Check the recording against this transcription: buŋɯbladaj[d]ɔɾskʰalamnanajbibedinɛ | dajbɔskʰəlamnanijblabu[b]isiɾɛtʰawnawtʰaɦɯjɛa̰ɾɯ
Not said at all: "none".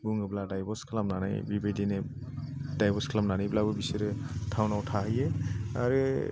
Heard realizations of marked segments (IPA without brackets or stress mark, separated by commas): b, b